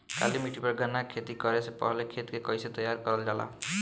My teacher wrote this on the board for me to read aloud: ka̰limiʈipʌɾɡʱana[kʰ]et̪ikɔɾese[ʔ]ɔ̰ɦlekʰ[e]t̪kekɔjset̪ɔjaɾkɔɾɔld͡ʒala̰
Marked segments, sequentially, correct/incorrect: correct, incorrect: p, correct

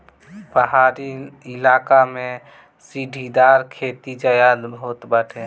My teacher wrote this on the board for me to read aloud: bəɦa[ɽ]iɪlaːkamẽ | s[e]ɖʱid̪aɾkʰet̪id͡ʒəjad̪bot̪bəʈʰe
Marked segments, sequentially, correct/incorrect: incorrect: ɾ, incorrect: i

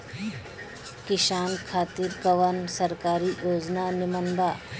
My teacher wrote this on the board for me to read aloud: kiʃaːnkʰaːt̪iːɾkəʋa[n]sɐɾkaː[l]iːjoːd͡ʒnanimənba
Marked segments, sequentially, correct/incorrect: correct, incorrect: ɾ

